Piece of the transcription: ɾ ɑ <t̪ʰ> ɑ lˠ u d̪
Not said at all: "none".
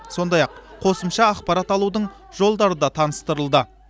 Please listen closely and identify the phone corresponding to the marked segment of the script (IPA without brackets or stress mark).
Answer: t̪